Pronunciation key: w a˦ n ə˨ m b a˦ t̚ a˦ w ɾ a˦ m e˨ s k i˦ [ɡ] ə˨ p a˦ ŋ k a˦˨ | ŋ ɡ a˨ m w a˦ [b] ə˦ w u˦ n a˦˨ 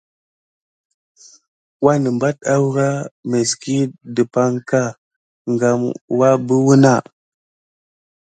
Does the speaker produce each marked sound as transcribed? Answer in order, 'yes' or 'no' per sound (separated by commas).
no, yes